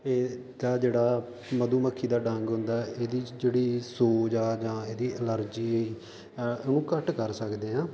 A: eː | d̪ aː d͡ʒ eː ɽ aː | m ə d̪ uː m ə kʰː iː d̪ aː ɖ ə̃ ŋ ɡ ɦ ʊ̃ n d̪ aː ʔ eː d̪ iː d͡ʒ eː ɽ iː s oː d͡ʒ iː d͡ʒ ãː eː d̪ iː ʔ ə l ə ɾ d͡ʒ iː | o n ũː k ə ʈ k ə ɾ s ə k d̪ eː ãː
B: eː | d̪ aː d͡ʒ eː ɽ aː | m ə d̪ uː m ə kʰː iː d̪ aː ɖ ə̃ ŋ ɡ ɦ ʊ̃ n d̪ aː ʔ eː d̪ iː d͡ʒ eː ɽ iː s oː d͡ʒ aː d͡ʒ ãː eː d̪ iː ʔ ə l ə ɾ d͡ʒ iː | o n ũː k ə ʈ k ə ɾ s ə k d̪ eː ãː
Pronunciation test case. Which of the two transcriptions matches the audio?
B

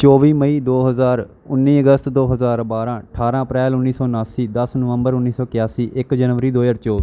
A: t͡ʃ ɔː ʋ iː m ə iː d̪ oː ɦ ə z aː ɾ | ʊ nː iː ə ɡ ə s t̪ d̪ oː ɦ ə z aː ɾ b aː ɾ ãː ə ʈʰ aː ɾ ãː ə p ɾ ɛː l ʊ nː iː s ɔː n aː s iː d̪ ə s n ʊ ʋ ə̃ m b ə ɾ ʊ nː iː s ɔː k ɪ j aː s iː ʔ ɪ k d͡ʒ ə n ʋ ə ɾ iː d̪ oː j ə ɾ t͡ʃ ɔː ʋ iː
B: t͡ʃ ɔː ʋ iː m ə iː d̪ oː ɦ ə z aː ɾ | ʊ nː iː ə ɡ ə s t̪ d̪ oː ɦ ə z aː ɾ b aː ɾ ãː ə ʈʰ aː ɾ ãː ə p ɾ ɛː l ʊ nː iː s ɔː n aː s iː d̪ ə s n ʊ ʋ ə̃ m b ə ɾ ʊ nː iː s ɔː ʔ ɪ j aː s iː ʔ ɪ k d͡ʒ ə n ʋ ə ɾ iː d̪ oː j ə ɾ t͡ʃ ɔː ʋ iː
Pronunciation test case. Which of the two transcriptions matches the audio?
A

